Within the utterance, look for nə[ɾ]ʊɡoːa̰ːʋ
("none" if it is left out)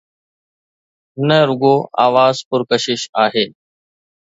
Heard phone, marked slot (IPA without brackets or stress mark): ɾ